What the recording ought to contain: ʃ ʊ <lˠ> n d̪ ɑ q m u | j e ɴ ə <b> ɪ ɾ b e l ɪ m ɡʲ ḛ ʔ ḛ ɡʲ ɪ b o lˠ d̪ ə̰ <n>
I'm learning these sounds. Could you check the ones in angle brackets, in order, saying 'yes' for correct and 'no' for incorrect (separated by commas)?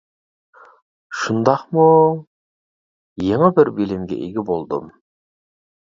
no, yes, no